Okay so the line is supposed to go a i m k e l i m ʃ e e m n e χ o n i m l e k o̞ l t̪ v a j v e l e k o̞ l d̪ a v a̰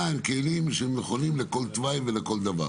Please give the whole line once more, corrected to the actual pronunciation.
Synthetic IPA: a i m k e l i m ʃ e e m n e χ o n i m l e k o̞ l t̪ v a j v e l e k o̞ l d̪ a v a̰